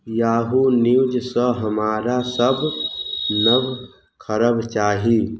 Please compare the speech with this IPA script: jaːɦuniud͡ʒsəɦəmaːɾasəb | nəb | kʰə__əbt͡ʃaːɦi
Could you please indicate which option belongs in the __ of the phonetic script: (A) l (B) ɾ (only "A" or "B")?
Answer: B